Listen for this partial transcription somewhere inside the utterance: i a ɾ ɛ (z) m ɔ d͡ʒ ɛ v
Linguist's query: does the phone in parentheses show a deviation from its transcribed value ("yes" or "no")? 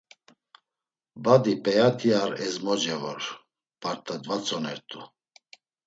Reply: no